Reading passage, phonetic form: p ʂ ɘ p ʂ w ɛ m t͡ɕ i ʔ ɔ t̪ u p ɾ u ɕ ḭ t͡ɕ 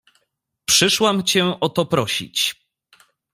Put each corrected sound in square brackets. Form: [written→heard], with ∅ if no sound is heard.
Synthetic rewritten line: p ʂ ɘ [p→∅] ʂ w [ɛ→a] m t͡ɕ [i→ɛ] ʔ ɔ t̪ [u→ɔ] p ɾ [u→ɔ] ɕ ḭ t͡ɕ